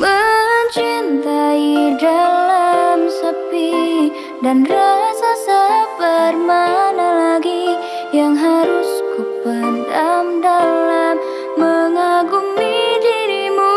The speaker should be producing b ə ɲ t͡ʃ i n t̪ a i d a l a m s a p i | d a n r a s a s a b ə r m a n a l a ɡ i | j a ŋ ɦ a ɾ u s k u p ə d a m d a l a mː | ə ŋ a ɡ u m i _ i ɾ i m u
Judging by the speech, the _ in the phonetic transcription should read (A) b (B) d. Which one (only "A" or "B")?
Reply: B